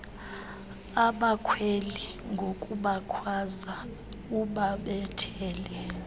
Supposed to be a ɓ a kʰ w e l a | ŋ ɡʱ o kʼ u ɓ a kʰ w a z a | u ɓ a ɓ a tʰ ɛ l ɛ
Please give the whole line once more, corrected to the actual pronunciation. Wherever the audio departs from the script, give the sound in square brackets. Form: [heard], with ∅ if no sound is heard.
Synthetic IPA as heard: a ɓ a kʰ w e l [i] | ŋ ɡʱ o kʼ u ɓ a kʰ w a z a | u ɓ a ɓ [ɛ] tʰ [ɛː] l ɛ